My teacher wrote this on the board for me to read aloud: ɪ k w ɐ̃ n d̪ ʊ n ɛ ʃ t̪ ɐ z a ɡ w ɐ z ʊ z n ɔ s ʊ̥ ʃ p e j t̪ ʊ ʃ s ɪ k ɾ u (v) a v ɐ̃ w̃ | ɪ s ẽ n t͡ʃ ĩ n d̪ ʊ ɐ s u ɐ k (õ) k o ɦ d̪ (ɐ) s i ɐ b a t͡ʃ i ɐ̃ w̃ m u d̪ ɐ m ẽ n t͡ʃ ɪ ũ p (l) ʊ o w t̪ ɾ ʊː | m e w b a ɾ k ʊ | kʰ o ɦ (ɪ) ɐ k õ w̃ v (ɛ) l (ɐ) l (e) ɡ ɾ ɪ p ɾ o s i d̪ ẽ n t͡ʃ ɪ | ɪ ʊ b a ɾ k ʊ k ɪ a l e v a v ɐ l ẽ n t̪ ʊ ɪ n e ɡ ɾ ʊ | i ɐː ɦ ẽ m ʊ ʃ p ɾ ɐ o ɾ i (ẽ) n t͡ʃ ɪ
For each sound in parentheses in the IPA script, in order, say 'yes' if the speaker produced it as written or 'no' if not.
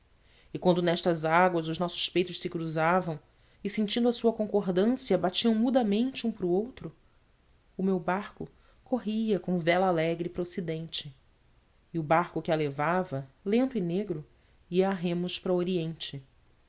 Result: no, yes, no, no, no, yes, no, no, yes

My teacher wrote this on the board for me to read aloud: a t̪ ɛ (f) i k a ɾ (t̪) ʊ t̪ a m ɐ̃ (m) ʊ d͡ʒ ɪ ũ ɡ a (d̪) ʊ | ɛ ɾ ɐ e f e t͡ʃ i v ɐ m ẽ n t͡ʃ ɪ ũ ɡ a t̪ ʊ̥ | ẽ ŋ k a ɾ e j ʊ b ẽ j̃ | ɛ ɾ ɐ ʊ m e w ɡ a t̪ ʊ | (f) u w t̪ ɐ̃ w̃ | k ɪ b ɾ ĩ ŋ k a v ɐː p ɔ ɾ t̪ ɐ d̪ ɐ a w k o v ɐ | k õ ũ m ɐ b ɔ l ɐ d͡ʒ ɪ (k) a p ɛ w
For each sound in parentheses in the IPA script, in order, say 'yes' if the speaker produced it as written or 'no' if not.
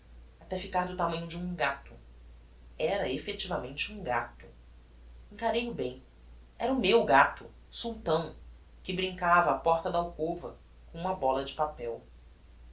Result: yes, no, no, no, no, no

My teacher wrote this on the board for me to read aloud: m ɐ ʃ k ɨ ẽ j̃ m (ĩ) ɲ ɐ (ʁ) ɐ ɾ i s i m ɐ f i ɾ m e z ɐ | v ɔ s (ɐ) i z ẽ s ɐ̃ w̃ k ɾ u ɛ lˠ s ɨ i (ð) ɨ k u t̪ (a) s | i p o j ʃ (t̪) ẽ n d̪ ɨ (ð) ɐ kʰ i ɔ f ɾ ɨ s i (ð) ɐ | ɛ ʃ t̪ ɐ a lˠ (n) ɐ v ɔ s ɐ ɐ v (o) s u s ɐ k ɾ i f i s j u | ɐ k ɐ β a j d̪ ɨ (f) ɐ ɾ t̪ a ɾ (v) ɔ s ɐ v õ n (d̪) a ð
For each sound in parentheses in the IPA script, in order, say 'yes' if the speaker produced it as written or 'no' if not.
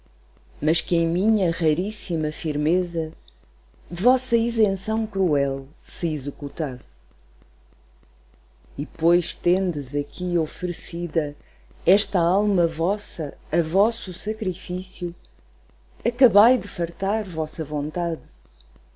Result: no, yes, yes, no, yes, yes, no, yes, no, no, yes, yes, no

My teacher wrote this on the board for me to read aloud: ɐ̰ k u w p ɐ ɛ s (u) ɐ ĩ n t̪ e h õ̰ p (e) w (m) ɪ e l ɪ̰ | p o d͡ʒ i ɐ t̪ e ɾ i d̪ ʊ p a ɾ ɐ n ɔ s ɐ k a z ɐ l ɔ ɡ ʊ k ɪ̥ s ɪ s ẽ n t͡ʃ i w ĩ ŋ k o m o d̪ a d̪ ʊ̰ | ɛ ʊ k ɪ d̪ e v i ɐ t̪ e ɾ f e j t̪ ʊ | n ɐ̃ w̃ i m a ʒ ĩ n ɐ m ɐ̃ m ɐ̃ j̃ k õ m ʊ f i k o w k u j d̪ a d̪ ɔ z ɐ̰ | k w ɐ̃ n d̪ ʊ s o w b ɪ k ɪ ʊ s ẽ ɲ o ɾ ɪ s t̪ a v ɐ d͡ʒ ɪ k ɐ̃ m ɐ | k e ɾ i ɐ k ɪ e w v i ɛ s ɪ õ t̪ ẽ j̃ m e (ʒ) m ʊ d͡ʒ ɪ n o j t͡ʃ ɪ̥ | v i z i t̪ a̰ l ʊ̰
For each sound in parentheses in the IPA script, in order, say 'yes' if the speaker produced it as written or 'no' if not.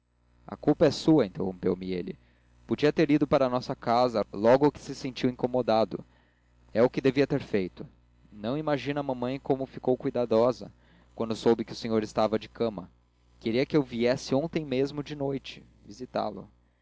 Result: yes, yes, yes, no

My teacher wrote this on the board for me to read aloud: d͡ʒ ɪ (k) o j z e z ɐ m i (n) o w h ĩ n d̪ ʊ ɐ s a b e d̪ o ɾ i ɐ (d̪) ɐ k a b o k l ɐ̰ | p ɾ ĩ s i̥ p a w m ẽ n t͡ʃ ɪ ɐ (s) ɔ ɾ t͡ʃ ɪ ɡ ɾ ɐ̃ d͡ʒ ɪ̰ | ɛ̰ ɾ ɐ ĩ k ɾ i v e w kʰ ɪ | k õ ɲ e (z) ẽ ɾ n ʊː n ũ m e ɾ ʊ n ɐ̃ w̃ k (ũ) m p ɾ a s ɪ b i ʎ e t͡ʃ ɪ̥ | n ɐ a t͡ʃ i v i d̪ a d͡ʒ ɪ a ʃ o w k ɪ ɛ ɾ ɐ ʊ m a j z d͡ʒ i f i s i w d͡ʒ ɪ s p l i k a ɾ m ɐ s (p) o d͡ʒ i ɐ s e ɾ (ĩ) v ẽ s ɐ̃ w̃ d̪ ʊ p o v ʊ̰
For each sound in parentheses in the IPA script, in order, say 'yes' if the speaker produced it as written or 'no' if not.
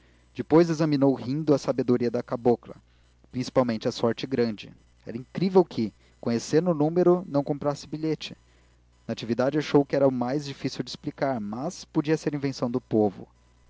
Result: no, yes, yes, yes, no, no, yes, yes

